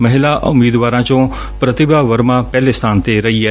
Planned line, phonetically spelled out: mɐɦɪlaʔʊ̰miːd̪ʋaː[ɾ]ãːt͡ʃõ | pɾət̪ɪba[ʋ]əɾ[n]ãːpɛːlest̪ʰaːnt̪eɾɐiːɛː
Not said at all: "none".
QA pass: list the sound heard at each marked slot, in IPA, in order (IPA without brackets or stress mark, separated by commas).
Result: ɾ, ʋ, m